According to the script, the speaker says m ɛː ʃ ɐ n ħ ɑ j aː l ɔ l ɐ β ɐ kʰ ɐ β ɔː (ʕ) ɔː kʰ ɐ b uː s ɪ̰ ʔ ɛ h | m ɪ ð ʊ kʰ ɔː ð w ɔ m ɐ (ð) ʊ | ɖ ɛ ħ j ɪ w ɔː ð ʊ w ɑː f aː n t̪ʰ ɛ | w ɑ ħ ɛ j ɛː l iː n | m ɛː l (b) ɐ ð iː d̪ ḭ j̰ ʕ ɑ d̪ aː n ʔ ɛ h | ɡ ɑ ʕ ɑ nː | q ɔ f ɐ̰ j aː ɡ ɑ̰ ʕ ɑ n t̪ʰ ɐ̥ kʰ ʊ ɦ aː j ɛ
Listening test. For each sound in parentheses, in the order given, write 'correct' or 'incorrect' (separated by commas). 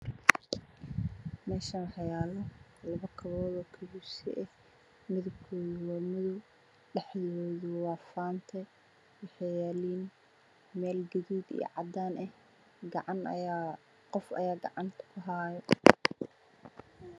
incorrect, correct, incorrect